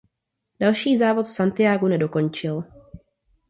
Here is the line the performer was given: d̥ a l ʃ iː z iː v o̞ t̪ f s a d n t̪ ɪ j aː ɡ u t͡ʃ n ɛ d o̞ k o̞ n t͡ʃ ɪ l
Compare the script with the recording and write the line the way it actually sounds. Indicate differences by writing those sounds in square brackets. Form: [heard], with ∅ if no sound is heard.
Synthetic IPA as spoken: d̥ a l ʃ iː z [aː] v o̞ t̪ f s a [∅] n t̪ ɪ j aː ɡ u [∅] n ɛ d o̞ k o̞ n t͡ʃ ɪ l